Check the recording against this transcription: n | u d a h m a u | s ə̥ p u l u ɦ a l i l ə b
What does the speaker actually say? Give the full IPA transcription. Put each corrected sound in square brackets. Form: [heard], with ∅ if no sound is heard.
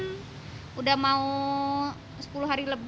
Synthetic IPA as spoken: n | u d a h m a u | s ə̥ p u l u ɦ a [ɾ] i l ə b